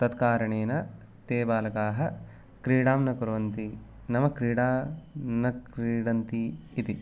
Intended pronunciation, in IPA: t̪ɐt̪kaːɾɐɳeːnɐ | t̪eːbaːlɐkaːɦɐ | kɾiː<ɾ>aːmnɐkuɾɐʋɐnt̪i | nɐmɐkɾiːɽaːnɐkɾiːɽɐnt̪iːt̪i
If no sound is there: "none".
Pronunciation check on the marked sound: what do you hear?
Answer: ɽ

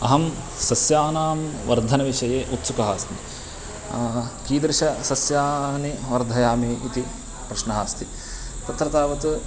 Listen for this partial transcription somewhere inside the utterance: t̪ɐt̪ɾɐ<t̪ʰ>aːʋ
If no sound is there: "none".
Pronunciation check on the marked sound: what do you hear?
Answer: t̪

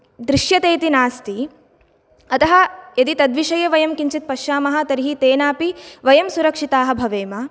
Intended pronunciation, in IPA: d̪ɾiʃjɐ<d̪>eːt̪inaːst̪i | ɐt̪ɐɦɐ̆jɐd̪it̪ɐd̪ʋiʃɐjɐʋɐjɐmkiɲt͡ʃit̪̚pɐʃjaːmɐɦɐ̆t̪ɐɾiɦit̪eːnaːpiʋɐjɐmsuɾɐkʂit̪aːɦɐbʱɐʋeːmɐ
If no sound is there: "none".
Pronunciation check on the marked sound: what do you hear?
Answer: t̪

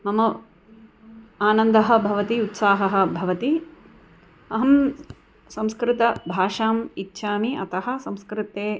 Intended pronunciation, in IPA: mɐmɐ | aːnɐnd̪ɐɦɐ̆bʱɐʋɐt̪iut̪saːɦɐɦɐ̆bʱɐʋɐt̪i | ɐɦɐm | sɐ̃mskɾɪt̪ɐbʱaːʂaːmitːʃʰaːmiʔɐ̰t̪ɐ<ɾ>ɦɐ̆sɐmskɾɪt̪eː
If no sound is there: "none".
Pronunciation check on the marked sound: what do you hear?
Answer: none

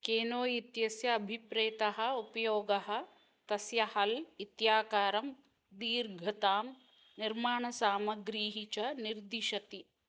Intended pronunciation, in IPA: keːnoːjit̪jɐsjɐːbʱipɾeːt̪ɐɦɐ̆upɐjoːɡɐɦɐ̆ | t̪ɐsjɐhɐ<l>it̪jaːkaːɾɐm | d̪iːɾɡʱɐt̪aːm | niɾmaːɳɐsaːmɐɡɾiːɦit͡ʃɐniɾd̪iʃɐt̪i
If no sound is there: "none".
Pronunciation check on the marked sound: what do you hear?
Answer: l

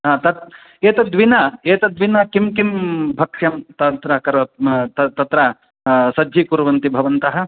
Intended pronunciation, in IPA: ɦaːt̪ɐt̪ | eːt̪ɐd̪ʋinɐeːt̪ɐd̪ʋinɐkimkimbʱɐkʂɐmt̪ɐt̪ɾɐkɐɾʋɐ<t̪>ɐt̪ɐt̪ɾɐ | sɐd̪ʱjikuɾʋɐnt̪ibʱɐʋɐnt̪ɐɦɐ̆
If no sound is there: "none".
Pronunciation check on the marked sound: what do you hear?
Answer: t̪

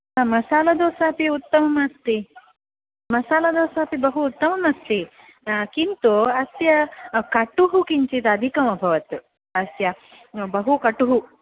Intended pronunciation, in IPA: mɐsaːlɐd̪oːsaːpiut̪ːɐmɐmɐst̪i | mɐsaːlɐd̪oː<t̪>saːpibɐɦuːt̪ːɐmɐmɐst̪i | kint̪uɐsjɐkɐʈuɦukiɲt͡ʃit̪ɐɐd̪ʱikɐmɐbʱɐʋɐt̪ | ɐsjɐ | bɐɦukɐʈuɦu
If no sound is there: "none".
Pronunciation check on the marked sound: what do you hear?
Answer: none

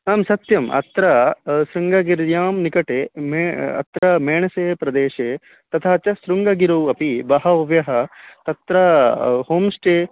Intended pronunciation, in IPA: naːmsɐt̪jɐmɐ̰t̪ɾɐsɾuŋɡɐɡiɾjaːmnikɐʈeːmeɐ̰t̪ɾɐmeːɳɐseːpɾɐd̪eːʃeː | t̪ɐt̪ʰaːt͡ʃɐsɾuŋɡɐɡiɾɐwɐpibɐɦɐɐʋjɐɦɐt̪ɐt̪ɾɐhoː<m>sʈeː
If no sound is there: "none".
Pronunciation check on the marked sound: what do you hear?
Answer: m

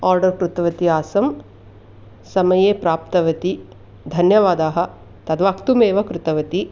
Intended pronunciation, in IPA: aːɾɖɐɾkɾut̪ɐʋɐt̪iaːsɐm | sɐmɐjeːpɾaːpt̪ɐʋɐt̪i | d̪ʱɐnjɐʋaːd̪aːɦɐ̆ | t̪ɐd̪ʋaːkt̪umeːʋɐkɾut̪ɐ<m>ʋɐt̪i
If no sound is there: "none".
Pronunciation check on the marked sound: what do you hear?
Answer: none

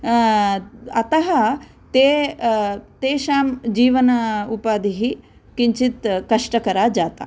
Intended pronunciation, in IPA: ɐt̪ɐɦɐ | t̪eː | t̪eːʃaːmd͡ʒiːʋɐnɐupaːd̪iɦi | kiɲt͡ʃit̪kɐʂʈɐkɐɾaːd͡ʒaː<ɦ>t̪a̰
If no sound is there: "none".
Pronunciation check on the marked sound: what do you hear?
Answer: none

